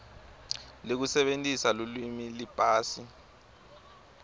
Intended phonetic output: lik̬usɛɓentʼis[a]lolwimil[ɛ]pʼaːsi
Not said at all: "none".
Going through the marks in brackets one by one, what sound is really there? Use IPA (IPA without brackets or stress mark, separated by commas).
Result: a, i